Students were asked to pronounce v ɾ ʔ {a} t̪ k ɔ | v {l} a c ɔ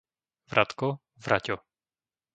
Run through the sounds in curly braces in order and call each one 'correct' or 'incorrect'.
correct, incorrect: ɾ

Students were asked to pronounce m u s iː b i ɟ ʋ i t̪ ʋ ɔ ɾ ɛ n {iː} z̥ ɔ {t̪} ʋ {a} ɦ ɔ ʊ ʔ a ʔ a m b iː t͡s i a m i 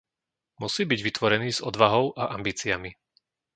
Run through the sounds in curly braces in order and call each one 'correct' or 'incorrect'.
correct, incorrect: d̪, correct

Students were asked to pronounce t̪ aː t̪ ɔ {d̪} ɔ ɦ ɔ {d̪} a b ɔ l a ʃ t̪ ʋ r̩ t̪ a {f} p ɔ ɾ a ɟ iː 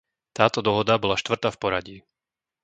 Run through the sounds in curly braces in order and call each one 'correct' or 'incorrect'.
correct, correct, correct

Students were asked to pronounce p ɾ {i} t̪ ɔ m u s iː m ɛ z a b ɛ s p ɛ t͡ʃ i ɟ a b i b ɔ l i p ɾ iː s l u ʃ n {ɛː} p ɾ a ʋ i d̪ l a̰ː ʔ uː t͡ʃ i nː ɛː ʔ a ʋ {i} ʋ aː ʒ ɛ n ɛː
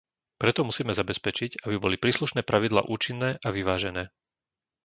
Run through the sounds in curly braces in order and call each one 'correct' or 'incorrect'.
incorrect: ɛ, correct, correct

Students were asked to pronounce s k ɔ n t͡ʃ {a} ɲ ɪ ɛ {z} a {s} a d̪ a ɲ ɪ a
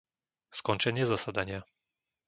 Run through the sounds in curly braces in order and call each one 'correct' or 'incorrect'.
incorrect: ɛ, correct, correct

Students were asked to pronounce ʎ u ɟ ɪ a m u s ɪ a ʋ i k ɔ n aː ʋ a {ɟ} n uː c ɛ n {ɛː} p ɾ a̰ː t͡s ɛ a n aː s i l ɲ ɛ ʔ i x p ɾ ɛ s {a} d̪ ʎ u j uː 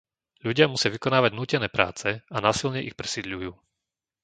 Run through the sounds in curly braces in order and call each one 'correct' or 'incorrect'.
correct, correct, incorrect: i

